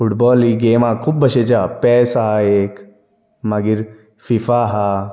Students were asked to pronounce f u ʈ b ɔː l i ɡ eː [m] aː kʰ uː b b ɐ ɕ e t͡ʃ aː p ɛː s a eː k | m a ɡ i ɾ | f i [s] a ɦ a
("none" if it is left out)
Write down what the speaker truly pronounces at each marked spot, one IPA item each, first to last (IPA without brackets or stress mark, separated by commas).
m, f